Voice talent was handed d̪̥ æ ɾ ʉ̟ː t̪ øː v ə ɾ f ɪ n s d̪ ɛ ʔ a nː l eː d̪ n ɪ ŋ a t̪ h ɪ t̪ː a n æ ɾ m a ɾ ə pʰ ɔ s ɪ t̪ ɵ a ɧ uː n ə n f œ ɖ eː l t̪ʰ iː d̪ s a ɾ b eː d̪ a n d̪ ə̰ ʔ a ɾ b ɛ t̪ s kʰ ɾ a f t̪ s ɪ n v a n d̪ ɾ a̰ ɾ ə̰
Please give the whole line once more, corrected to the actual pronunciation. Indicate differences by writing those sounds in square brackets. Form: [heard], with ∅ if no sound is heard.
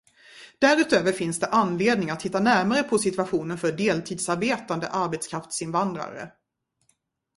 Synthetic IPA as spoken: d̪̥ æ ɾ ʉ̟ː t̪ øː v ə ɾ f ɪ n s d̪ ɛ ʔ a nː l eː d̪ n ɪ ŋ a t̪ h ɪ t̪ː a n æ ɾ m a ɾ ə pʰ ɔ s ɪ t̪ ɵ a ɧ uː n ə n f œ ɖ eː l t̪ʰ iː d̪ s a ɾ b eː [t̪] a n d̪ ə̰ ʔ a ɾ b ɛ t̪ s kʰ ɾ a f t̪ s ɪ n v a n d̪ ɾ a̰ ɾ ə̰

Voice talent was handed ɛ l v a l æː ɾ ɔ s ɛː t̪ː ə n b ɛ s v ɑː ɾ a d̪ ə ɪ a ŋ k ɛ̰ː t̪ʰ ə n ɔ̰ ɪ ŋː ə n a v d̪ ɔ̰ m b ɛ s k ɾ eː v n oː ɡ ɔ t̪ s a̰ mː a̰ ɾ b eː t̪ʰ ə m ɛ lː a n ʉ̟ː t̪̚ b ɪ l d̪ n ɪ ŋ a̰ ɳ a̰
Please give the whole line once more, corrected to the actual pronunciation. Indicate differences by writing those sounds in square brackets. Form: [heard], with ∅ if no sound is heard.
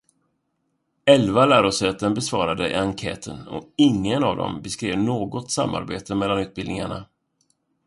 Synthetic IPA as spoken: ɛ l v a l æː ɾ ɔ s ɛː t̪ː ə n b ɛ s v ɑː ɾ a d̪ ə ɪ a ŋ [kʰ] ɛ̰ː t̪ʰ ə n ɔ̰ ɪ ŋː ə n a v d̪ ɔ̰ m b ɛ s k ɾ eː v n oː ɡ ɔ t̪ s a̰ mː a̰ ɾ b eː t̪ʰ ə m ɛ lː a n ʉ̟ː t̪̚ b ɪ l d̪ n ɪ ŋ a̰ ɳ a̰

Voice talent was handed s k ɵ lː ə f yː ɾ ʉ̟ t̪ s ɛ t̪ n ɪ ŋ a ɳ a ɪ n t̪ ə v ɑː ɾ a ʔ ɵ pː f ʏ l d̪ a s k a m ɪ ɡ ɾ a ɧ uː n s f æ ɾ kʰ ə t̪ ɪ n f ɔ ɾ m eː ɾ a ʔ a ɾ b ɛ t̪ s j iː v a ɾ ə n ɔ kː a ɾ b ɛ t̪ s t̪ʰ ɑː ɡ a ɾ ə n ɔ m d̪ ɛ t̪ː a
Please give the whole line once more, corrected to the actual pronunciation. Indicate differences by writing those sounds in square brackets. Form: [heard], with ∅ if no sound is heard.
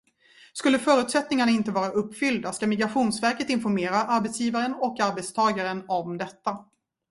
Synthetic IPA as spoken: s k ɵ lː ə f [œː] ɾ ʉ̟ t̪ s ɛ t̪ n ɪ ŋ a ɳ a ɪ n t̪ ə v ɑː ɾ a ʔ ɵ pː f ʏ l d̪ a s k a m ɪ ɡ ɾ a ɧ uː n s [v] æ ɾ [k] ə t̪ ɪ n f ɔ ɾ m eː ɾ a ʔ a ɾ b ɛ t̪ s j iː v a ɾ ə n ɔ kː a ɾ b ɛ t̪ s t̪ʰ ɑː ɡ a ɾ ə n ɔ m d̪ ɛ t̪ː a

